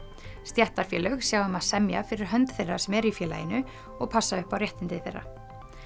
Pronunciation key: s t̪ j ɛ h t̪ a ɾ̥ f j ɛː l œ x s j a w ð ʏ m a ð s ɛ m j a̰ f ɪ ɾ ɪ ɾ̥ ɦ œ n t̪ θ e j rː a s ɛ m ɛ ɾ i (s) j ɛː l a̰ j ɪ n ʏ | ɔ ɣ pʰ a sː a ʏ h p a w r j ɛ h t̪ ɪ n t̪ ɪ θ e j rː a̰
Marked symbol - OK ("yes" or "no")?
no